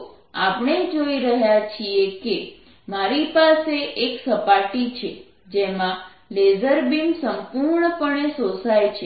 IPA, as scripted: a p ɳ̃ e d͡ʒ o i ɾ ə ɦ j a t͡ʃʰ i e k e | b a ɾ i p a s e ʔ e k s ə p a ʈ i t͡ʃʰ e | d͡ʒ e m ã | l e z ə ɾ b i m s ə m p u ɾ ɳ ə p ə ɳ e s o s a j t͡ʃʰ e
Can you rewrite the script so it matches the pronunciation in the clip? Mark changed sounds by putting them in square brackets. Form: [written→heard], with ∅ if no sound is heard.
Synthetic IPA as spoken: a p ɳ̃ e d͡ʒ o i ɾ ə ɦ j a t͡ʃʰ i e k e | [b→m] a ɾ i p a s e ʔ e k s ə p a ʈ i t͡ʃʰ e | d͡ʒ e m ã | l e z ə ɾ b i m s ə m p u ɾ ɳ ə p ə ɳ e s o s a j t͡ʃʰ e